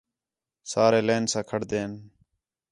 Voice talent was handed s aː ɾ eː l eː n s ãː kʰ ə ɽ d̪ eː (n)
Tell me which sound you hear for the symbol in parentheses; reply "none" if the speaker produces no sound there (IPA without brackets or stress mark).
n